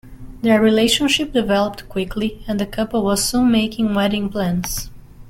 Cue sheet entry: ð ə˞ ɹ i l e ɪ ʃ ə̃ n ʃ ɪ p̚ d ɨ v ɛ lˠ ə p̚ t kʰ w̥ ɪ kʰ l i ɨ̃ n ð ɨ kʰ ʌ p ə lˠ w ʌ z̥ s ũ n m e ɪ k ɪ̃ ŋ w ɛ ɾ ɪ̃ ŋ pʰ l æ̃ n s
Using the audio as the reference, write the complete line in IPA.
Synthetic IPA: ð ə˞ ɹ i l e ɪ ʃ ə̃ n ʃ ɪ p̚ d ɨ v ɛ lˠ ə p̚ t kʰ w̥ ɪ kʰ l i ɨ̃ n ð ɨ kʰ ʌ p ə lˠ w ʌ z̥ s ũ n m e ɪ k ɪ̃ ŋ w ɛ ɾ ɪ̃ ŋ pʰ l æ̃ n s